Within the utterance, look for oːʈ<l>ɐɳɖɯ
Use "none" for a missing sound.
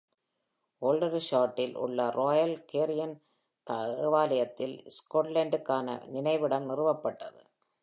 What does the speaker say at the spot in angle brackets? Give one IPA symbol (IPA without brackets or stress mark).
l